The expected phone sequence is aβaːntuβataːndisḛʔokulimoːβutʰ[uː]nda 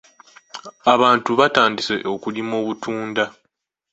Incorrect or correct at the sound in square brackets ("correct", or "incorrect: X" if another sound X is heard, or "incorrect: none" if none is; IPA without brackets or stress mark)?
correct